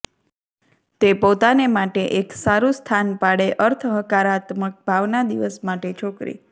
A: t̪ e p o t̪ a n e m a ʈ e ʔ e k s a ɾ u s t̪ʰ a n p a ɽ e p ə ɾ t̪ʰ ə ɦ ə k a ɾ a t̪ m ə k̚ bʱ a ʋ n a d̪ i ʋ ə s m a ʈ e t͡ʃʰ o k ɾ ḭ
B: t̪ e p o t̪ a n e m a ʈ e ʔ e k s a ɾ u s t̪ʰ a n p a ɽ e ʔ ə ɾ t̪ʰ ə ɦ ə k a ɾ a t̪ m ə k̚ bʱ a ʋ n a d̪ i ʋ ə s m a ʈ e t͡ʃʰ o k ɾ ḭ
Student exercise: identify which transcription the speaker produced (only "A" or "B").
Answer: B